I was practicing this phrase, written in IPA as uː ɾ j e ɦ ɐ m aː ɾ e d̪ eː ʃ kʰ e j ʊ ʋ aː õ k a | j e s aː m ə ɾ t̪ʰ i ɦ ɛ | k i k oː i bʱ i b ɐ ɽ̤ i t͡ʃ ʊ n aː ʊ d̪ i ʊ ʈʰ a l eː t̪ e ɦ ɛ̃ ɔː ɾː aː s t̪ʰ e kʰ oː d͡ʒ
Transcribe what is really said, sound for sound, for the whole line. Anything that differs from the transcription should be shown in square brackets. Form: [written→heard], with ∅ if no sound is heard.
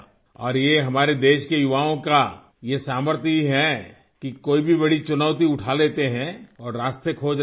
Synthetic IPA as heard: [uː→ɔː] ɾ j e ɦ ɐ m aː ɾ e d̪ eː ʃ [kʰ→k] e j ʊ ʋ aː õ k a | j e s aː m ə ɾ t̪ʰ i ɦ ɛ | k i k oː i bʱ i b ɐ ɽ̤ i t͡ʃ ʊ n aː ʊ [d̪→t̪] i ʊ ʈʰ a l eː t̪ e ɦ ɛ̃ ɔː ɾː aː s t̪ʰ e kʰ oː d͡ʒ